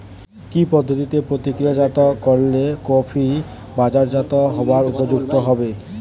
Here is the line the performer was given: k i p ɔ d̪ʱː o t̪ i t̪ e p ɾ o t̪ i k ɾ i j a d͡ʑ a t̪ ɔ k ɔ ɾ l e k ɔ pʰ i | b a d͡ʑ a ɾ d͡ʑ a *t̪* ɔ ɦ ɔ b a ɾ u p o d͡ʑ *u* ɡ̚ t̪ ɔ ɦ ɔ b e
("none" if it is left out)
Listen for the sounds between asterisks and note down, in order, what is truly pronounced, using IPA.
t̪, u

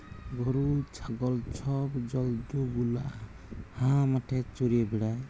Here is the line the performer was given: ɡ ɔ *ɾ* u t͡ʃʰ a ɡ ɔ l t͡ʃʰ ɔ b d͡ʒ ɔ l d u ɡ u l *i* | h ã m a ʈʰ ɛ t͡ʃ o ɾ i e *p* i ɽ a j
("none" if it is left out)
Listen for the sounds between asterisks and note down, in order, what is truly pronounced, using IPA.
ɾ, a, b

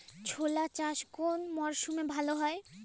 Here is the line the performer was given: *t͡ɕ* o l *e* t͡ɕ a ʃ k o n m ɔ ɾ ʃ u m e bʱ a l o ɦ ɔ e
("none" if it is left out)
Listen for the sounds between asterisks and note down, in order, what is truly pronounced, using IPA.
t͡ɕʰ, a

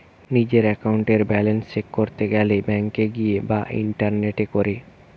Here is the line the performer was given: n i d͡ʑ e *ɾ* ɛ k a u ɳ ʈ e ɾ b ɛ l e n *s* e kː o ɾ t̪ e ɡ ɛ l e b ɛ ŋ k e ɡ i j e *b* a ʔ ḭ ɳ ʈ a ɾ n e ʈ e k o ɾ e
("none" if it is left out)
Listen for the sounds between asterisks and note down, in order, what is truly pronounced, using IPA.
ɾ, s, b

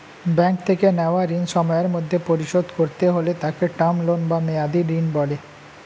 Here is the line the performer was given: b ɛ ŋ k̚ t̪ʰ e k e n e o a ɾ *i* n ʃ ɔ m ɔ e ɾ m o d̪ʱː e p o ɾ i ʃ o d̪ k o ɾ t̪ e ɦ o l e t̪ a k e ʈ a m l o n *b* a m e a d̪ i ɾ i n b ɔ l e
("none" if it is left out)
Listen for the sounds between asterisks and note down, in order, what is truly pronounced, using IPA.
i, b

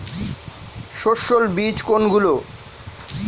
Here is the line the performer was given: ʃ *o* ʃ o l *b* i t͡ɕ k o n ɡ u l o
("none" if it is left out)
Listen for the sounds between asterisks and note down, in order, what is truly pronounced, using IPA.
o, b

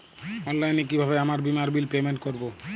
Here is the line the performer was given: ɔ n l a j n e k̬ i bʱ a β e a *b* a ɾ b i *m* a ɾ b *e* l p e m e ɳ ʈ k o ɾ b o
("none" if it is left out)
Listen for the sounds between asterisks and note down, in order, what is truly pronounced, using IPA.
m, m, i

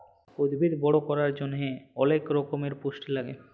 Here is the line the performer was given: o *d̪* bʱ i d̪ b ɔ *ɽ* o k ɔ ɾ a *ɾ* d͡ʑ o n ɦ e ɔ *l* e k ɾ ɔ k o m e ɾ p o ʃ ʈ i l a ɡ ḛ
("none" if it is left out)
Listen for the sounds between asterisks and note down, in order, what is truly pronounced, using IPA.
d̪, ɽ, ɾ, l

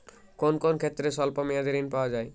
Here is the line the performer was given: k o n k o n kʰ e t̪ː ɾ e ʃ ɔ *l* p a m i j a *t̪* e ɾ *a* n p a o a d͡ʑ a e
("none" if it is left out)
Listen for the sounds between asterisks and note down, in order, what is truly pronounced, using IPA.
l, d̪, i

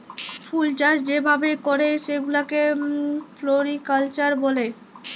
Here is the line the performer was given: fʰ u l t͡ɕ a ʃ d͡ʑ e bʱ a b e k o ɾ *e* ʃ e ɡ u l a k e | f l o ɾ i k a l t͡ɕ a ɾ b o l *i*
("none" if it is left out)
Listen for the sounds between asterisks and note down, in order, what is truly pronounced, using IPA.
e, e

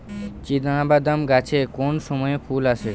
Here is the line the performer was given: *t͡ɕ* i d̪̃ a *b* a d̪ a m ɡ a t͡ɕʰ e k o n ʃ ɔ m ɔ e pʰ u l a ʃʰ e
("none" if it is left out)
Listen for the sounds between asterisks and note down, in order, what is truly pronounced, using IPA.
t͡ɕ, b

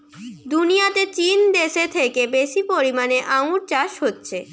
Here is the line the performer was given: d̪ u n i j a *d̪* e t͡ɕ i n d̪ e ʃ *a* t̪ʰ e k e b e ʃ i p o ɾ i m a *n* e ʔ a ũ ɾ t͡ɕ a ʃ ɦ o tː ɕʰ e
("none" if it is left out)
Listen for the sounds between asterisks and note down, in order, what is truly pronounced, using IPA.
t̪, e, n

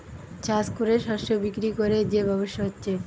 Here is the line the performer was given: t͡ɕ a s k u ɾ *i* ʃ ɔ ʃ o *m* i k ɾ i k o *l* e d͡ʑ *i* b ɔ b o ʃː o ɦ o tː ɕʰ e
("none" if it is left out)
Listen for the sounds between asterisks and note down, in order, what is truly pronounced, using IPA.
e, b, ɾ, e

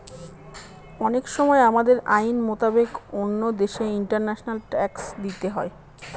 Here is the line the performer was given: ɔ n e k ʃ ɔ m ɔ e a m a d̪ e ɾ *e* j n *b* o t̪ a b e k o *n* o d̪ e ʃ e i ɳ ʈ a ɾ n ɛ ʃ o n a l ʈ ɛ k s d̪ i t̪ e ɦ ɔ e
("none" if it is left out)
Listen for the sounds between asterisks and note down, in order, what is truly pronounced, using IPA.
a, m, nː

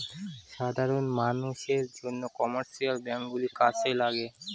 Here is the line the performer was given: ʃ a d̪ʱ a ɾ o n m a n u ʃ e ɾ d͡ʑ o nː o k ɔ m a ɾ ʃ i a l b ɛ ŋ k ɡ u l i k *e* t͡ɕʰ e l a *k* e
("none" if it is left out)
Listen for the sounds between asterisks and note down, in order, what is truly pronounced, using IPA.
a, ɡ

